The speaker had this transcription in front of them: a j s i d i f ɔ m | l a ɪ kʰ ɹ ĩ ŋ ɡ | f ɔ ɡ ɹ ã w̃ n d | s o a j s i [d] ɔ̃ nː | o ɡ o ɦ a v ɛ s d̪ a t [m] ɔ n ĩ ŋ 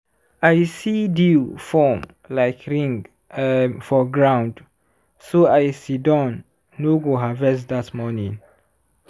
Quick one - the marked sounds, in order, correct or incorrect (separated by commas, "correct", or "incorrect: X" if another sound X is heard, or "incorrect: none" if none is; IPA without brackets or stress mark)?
correct, correct